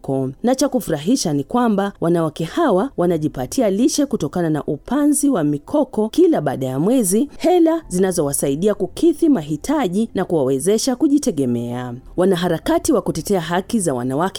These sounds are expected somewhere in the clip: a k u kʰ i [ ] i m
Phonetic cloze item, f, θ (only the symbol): θ